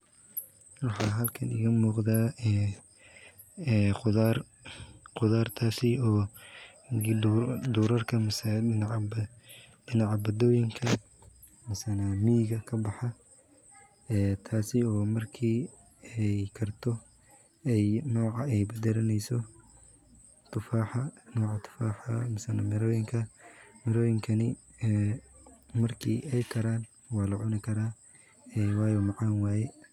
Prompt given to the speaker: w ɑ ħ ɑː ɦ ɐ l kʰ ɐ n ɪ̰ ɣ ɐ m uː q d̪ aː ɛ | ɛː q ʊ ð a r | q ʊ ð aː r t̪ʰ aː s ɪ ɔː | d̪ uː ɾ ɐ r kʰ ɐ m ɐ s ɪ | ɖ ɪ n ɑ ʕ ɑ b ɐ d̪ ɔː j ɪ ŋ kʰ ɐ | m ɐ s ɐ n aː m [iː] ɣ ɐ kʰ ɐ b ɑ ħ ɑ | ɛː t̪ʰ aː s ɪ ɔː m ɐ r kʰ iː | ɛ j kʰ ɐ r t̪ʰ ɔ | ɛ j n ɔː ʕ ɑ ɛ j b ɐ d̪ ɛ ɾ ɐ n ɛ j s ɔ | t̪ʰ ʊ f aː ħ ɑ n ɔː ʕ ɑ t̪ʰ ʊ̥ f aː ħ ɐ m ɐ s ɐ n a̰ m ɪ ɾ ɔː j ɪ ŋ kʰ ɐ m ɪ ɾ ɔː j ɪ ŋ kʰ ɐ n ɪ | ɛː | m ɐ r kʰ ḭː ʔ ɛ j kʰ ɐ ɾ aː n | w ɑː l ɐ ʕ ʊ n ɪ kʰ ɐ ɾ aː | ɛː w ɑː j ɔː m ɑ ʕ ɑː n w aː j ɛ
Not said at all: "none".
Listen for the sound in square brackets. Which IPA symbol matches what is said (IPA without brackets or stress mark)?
iː